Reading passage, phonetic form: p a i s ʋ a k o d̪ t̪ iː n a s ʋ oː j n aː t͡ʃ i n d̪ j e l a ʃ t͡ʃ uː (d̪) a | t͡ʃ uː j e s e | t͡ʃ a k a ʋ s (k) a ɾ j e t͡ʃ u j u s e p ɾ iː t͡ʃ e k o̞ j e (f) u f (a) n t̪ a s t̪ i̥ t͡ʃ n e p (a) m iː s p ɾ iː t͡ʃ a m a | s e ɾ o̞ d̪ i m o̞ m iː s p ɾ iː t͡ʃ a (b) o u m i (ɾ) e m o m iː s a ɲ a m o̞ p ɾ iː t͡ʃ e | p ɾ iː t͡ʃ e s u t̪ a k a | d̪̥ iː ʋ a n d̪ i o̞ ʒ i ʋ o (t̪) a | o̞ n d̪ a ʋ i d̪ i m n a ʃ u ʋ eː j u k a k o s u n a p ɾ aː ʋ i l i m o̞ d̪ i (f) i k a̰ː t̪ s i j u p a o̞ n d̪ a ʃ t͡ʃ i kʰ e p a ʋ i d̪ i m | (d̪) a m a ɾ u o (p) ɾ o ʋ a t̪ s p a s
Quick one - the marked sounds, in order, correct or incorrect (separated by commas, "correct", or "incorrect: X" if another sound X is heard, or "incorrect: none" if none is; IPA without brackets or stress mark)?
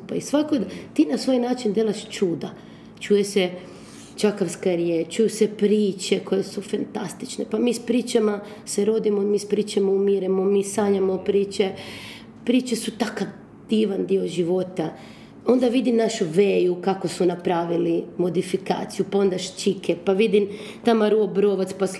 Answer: correct, correct, incorrect: s, correct, correct, incorrect: m, correct, correct, correct, incorrect: t̪, incorrect: b